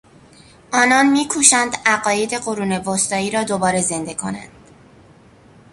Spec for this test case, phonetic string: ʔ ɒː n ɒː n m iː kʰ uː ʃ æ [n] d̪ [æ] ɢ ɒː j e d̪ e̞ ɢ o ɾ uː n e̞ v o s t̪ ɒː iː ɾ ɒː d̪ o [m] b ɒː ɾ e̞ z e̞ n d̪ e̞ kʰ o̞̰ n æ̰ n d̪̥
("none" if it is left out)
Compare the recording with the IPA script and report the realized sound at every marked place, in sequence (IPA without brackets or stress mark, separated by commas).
n, æ, none